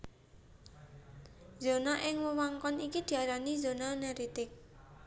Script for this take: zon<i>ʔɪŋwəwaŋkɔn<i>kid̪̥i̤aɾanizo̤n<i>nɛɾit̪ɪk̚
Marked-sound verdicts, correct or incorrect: incorrect: a, correct, incorrect: a

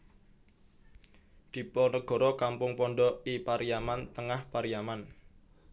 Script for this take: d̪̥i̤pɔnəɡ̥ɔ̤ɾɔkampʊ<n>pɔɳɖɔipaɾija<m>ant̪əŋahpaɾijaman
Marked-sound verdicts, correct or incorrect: incorrect: ŋ, correct

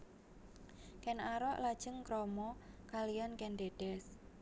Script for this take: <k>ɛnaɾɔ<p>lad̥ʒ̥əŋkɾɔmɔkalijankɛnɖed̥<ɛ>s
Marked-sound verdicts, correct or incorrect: correct, incorrect: ʔ, correct

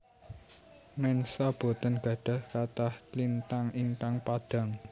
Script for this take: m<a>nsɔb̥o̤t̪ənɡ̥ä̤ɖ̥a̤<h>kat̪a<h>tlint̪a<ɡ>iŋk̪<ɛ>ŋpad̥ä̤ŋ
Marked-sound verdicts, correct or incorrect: incorrect: ɛ, correct, correct, incorrect: ŋ, incorrect: a

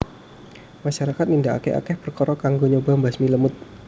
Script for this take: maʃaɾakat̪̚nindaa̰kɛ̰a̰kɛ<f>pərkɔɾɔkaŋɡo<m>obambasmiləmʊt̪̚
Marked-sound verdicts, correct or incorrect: incorrect: h, incorrect: ɲ

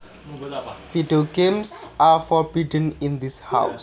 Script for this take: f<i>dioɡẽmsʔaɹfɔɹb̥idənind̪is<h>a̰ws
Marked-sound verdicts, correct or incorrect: correct, correct

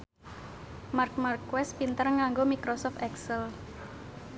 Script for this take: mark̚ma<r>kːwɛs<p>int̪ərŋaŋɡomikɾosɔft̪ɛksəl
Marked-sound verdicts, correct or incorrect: correct, correct

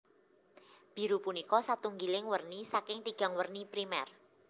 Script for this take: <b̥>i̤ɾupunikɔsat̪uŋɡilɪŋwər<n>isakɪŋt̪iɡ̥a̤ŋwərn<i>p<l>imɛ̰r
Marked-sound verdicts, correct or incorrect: correct, correct, correct, incorrect: ɾ

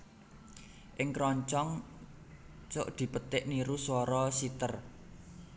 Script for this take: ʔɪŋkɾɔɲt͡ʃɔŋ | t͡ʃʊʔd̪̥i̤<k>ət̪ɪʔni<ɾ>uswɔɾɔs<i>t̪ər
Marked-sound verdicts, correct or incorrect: incorrect: p, correct, correct

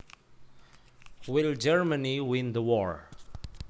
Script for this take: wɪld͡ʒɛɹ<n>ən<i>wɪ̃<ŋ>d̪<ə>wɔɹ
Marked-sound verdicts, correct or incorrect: incorrect: m, correct, incorrect: n, correct

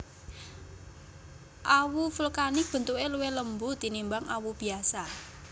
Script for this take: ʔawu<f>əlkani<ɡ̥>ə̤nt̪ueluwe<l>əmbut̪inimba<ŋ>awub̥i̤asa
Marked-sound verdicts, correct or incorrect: correct, incorrect: b̥, correct, correct

